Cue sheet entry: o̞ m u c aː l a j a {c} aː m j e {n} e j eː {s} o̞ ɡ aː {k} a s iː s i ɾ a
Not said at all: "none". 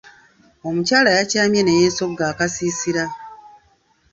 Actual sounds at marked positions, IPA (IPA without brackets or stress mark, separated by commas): c, n, s, k